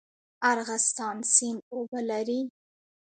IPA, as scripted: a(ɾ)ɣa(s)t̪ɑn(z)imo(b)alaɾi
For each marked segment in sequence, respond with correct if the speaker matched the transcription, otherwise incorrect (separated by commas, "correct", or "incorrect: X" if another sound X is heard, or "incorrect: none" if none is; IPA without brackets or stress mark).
correct, correct, incorrect: s, correct